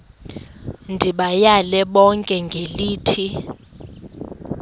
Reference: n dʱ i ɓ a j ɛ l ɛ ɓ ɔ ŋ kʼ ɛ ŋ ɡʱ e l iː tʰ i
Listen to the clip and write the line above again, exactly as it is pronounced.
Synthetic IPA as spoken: n dʱ i ɓ a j a l ɛ ɓ ɔ ŋ kʼ ɛ ŋ ɡʱ e l iː tʰ i